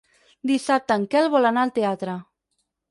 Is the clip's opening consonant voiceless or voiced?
voiced